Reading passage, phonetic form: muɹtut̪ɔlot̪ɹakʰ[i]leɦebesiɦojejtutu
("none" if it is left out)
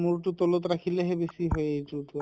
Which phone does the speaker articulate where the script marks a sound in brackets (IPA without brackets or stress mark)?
i